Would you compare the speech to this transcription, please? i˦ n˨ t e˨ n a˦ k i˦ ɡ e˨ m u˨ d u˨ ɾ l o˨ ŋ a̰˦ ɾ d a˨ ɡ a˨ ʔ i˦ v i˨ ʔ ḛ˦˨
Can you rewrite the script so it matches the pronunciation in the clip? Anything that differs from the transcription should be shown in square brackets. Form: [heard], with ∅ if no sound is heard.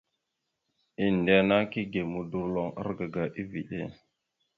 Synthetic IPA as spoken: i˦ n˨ [d] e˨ n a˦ k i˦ ɡ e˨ m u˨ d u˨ ɾ l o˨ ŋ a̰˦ ɾ [ɡ] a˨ ɡ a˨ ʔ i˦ v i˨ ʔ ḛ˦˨